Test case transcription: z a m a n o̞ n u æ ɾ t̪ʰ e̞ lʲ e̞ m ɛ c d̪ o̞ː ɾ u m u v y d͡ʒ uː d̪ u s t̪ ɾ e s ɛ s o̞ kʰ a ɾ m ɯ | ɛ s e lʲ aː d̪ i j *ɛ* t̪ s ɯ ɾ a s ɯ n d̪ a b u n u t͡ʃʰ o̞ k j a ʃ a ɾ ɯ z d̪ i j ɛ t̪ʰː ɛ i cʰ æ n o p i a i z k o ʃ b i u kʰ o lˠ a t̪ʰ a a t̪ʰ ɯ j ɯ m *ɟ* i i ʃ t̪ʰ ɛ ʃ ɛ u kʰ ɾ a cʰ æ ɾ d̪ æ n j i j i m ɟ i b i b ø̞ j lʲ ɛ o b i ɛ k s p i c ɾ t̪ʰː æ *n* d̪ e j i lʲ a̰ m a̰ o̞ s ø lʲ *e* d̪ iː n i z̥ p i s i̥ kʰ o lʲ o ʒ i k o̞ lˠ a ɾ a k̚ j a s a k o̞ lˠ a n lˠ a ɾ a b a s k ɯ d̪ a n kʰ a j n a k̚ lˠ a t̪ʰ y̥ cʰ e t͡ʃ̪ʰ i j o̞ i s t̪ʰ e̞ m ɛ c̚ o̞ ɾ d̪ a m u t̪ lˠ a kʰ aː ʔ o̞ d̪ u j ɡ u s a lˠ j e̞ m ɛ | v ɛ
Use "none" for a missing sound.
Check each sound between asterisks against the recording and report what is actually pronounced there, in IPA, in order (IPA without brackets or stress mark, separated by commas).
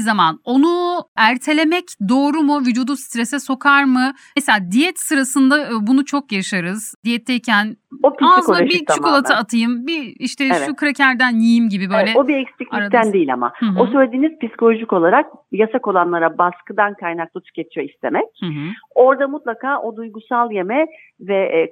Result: ɛ, b, n, e